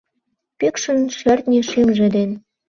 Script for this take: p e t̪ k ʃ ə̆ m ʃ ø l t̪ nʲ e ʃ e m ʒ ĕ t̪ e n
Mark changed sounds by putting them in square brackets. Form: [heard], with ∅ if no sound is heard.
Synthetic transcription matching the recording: p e [∅] k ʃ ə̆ [n] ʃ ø [r] t̪ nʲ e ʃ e m ʒ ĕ [d̪] e n